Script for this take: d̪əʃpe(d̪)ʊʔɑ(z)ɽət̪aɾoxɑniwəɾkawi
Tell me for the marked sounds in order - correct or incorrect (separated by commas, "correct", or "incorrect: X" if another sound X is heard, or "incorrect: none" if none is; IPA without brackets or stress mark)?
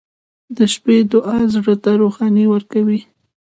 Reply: correct, correct